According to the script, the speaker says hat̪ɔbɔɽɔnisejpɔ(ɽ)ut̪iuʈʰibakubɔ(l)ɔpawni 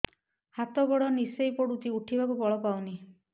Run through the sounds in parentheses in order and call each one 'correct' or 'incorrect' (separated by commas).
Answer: correct, incorrect